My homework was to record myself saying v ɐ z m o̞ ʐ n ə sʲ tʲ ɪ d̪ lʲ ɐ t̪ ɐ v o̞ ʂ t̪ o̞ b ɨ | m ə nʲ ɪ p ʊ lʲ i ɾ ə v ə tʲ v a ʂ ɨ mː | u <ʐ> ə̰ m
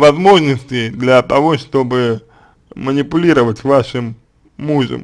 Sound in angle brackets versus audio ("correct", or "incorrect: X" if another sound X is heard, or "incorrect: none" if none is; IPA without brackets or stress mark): correct